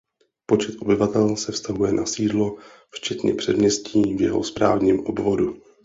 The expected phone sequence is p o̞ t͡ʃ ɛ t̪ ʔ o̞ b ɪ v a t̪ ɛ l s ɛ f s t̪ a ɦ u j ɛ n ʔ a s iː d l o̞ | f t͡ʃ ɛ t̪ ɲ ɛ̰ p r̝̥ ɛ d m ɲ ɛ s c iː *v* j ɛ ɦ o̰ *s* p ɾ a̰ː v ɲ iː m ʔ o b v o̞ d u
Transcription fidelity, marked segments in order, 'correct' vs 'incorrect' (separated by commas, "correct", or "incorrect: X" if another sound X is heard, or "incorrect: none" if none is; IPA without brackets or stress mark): correct, correct